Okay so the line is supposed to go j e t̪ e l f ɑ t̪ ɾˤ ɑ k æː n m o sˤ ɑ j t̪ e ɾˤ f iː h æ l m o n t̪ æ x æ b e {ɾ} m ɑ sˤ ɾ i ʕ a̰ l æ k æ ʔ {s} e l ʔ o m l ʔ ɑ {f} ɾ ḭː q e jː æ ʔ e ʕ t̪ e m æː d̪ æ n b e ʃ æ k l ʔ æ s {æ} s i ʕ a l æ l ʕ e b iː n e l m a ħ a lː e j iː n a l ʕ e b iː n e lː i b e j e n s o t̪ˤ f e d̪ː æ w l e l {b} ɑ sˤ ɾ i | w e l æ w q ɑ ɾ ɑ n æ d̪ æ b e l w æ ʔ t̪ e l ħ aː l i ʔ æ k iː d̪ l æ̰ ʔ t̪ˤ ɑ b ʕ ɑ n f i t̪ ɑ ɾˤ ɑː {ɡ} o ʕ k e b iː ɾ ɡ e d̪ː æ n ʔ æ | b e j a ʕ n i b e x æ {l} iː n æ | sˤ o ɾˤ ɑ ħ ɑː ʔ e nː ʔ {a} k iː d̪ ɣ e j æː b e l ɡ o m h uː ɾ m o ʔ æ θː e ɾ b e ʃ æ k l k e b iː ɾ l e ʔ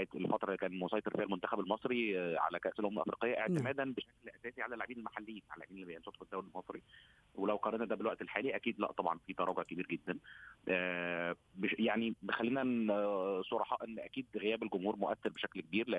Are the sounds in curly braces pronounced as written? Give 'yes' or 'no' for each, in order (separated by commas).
no, yes, yes, no, no, yes, no, no